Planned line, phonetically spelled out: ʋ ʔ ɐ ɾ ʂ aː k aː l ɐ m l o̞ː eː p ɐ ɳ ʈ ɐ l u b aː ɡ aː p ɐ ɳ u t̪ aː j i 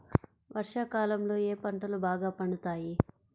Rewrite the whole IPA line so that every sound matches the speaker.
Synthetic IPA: ʋ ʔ ɐ ɾ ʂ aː k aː l ɐ m l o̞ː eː p ɐ ɳ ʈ ɐ l u b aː ɡ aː p ɐ ɳ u t̪ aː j i